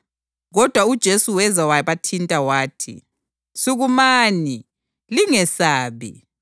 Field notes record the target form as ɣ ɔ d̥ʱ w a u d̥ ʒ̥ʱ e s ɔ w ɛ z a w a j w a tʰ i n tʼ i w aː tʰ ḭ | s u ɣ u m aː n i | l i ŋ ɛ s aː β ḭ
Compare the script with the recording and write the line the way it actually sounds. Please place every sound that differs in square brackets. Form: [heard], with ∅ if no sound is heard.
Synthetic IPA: ɣ ɔ d̥ʱ w a u d̥ ʒ̥ʱ e s [u] w ɛ z a w a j [β] a tʰ i n tʼ [a] w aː tʰ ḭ | s u ɣ u m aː n i | l i ŋ ɛ s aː β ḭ